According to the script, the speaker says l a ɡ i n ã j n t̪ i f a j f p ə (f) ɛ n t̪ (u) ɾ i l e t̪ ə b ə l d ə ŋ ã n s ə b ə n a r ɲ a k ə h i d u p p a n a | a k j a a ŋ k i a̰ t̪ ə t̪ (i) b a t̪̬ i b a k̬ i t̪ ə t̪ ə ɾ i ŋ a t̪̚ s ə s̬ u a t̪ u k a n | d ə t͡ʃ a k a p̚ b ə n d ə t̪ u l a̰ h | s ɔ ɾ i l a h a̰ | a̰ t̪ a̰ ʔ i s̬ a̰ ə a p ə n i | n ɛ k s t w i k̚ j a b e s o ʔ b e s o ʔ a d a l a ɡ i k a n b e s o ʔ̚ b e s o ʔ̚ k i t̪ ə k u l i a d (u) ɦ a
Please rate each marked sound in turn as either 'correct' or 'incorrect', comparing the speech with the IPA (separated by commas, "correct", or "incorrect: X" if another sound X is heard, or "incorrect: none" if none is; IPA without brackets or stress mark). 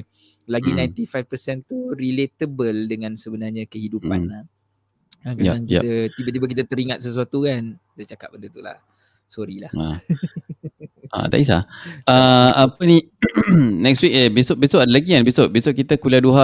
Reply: incorrect: s, correct, correct, correct